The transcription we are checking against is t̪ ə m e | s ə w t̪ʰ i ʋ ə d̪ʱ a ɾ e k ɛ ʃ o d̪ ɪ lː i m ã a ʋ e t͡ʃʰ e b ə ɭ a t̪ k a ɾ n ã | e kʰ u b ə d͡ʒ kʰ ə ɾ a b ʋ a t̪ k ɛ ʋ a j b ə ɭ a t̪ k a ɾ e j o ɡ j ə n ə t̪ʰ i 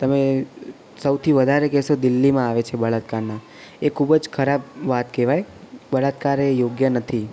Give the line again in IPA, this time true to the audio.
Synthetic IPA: t̪ ə m e | s ə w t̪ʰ i ʋ ə d̪ʱ a ɾ e k ɛ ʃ o d̪ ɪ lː i m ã a ʋ e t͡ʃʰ e b ə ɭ a t̪ k a ɾ n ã | e kʰ u b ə d͡ʒ kʰ ə ɾ a b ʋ a t̪ k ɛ ʋ a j b ə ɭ a t̪ k a ɾ e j o ɡ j ə n ə t̪ʰ i